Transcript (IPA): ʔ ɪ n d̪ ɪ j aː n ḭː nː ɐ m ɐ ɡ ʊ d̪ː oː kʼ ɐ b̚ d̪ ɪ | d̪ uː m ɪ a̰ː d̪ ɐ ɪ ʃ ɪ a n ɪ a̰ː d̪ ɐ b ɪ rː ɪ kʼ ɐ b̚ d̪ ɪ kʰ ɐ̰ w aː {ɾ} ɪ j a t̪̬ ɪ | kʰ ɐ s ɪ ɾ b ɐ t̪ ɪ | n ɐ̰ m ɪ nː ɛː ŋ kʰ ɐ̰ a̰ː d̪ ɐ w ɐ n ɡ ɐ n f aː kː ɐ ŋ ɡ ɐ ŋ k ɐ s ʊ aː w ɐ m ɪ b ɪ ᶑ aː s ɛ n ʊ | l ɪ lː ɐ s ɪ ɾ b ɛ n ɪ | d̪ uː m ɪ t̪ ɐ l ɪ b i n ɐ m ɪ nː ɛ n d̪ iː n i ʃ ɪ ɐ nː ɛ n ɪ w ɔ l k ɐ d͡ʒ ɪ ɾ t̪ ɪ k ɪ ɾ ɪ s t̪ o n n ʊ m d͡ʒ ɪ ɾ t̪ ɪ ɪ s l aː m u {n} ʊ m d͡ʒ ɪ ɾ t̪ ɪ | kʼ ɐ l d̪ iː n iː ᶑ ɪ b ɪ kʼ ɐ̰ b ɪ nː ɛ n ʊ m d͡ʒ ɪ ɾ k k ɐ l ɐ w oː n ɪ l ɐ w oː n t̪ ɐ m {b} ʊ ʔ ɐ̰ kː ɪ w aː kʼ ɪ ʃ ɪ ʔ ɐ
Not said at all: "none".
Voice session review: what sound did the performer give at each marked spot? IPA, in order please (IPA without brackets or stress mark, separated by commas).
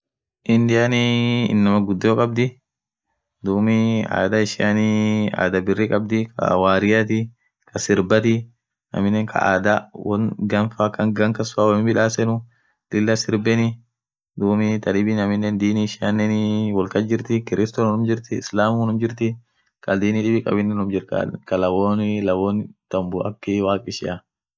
ɾ, n, b